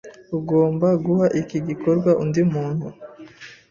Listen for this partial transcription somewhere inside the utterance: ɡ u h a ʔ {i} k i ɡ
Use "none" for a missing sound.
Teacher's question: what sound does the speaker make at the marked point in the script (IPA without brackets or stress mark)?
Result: i